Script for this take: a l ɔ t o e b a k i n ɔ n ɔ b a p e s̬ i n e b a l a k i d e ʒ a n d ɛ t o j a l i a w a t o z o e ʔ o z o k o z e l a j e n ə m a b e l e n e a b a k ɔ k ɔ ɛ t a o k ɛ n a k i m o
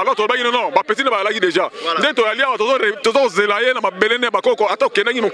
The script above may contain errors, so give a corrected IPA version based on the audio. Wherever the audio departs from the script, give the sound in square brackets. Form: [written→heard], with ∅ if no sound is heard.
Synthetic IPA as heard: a l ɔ t o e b a k i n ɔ n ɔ b a p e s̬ i n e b a l a k i d e ʒ a n d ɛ t o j a l i a w a t o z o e [ʔ→t] o z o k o z e l a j e n [ə→a] m a b e l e n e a b a k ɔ k ɔ [ɛ→a] t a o k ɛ n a k i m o